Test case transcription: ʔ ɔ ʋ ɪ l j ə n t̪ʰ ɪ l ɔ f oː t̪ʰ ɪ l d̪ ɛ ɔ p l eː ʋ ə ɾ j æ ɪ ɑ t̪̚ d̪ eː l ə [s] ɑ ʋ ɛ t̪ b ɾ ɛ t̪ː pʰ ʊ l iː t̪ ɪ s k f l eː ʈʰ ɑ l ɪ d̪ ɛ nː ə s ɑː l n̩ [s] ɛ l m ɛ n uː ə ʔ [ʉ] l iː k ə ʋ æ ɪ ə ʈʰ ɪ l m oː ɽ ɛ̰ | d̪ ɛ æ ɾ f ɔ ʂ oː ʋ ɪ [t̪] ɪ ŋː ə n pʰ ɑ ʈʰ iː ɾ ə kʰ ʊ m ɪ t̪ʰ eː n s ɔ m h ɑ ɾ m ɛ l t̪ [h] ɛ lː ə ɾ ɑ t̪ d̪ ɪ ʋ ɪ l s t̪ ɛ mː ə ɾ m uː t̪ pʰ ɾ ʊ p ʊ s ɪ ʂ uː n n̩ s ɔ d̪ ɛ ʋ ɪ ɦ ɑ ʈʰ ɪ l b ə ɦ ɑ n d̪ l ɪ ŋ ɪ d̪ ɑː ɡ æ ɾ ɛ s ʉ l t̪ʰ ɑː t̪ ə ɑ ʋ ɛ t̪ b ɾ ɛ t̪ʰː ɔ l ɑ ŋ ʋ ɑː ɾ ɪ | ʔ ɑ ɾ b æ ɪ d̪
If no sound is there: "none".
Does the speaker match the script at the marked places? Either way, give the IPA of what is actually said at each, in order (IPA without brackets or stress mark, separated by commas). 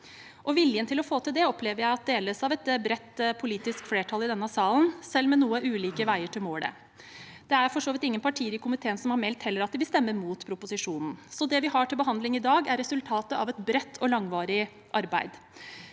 s, s, ʉː, t̪, h